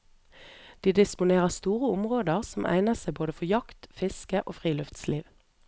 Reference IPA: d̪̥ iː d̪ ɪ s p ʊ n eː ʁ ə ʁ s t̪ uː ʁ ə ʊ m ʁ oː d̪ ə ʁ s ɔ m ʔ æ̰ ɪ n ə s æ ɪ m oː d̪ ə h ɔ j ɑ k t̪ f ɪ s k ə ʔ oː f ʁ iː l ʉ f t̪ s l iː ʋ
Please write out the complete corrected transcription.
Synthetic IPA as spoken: d̪̥ iː d̪ ɪ s p ʊ n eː ʁ ə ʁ s t̪ uː ʁ ə ʊ m ʁ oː d̪ ə ʁ s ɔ m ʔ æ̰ ɪ n ə s æ ɪ b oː d̪ ə f ɔ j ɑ k t̪ f ɪ s k ə ʔ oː f ʁ iː l ʉ f t̪ s l iː ʋ